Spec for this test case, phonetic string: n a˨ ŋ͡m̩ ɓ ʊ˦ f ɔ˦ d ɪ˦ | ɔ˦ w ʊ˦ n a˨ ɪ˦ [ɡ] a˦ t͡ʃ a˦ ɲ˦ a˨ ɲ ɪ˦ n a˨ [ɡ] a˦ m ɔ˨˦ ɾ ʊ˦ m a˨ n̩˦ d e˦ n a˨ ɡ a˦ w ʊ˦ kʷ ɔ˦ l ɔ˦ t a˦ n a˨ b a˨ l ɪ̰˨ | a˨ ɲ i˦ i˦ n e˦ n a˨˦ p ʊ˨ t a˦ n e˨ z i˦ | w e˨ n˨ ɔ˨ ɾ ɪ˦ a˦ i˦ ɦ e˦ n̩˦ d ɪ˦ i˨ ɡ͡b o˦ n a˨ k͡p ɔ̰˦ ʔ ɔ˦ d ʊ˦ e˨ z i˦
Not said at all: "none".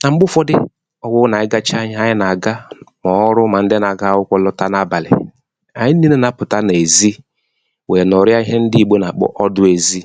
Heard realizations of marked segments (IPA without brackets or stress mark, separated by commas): ɡ, ɡ